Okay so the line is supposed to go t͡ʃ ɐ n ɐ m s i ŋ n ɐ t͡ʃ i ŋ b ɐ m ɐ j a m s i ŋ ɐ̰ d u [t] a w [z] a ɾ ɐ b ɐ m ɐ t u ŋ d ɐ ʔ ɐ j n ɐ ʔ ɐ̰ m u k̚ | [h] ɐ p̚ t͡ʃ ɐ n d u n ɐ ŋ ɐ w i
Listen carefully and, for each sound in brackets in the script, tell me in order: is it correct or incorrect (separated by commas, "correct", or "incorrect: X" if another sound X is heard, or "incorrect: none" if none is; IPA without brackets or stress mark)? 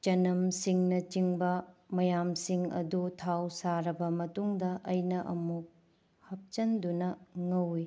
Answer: incorrect: tʰ, incorrect: s, correct